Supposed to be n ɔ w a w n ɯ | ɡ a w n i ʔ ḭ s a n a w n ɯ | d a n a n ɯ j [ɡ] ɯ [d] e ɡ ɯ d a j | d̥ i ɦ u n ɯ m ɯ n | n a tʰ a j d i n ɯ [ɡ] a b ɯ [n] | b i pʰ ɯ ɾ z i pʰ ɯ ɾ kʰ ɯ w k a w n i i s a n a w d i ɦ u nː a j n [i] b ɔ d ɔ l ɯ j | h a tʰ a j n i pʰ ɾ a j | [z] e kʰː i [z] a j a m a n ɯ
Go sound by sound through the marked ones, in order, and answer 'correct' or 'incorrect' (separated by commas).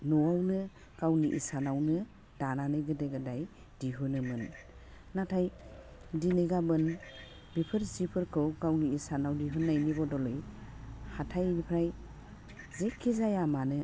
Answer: correct, correct, correct, correct, correct, correct, correct